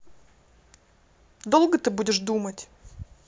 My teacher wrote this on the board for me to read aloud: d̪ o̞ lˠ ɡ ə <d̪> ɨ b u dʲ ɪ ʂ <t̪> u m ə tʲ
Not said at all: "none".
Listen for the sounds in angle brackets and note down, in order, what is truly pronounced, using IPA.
t̪, d̪

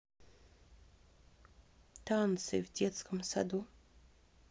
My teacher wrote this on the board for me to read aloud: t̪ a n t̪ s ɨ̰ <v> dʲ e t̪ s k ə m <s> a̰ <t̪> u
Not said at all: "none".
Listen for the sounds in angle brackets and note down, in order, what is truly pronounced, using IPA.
v, s, d̪

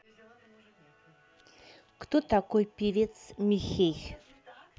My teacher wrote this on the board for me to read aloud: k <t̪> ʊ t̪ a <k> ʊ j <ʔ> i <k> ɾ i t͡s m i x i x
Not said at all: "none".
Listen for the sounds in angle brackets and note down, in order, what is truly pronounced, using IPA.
t̪, k, p, none

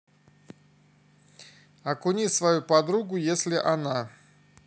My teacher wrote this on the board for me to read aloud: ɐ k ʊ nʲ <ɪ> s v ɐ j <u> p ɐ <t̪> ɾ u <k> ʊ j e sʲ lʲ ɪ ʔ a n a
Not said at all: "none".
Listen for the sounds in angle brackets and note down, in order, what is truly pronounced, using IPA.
i, u, d̪, ɡ

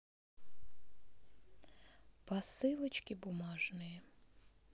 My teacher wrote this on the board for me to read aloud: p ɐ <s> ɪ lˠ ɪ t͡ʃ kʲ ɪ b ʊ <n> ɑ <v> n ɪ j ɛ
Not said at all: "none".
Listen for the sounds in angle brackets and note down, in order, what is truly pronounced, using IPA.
s, m, ʒ

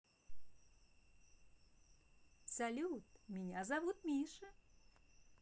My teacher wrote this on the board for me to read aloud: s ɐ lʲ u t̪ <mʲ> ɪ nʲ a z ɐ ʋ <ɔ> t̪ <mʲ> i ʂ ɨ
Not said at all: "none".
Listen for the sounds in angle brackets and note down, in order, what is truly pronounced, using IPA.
mʲ, u, mʲ

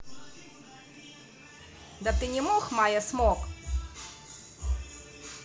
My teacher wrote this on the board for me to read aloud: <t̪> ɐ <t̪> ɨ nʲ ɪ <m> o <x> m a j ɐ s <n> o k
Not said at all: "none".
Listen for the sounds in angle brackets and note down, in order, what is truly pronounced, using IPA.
d̪, t̪, m, x, m

